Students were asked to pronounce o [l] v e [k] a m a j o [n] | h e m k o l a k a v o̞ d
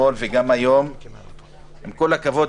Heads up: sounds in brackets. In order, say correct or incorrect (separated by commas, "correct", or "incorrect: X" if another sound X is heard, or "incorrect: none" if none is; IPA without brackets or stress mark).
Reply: correct, incorrect: ɡ, incorrect: m